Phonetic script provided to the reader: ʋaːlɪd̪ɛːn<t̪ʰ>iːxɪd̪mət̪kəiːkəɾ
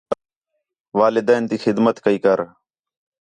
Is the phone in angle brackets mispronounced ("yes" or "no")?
yes